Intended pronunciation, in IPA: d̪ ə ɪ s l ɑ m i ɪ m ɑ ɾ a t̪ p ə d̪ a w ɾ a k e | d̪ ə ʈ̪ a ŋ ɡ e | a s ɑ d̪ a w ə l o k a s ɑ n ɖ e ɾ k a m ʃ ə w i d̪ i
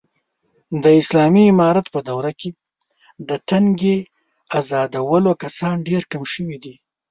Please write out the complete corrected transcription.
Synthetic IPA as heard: d̪ ə ɪ s l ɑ m i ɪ m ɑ ɾ a t̪ p ə d̪ a w ɾ a k e | d̪ ə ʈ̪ a ŋ ɡ e | a z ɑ d̪ a w ə l o k a s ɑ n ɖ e ɾ k a m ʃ ə w i d̪ i